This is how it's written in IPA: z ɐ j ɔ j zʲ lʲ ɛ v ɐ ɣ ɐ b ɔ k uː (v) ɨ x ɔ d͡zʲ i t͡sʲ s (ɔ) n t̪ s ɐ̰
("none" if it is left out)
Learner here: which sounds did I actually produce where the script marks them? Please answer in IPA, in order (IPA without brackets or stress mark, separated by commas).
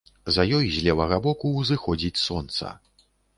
z, ɔ